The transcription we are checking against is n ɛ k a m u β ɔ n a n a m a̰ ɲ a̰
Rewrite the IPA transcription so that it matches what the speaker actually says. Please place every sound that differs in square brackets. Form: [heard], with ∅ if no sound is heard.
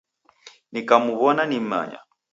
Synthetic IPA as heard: n [i] k a m u β ɔ n a n [i] m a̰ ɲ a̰